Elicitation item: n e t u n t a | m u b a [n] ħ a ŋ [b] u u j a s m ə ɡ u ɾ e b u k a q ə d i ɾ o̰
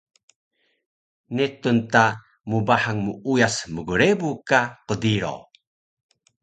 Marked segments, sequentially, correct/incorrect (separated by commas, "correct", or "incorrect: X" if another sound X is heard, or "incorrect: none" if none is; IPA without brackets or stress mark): incorrect: none, incorrect: m